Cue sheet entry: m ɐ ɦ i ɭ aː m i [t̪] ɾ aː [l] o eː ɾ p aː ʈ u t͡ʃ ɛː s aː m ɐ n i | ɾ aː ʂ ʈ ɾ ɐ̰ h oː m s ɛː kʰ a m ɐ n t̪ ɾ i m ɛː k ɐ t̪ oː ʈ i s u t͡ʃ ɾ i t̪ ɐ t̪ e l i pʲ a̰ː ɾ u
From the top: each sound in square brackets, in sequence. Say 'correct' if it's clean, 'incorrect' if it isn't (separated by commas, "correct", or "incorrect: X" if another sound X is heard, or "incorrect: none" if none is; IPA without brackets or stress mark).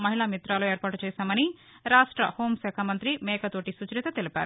correct, correct